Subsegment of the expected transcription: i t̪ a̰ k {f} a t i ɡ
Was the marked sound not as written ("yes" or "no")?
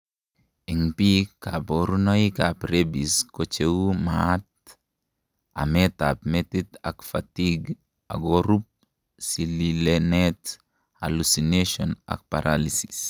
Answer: no